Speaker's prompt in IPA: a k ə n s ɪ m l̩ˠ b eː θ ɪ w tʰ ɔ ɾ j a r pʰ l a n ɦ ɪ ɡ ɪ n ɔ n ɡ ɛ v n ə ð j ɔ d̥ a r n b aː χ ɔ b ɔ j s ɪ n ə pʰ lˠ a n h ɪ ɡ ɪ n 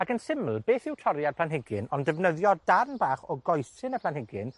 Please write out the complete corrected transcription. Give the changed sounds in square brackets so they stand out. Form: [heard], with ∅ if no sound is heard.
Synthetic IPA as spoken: a k ə n s ɪ m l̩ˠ b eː θ ɪ w tʰ ɔ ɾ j a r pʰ l a n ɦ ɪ ɡ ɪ n ɔ n [d] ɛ v n ə ð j ɔ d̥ a r n b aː χ ɔ [ɡ] ɔ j s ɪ n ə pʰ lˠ a n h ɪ ɡ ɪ n